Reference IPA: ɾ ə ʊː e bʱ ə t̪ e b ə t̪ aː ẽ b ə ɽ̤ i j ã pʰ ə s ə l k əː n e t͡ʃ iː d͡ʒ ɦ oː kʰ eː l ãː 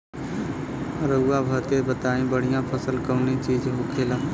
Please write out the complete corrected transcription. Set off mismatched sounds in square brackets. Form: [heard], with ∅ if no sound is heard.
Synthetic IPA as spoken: ɾ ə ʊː [a] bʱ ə t̪ e b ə t̪ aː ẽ b ə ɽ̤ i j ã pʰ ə s ə l k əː n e t͡ʃ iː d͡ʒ ɦ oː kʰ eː l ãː